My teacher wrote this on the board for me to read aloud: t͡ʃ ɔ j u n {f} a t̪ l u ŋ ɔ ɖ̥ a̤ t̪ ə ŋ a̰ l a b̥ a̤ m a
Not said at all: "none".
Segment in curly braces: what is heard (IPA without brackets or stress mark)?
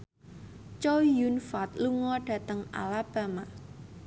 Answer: f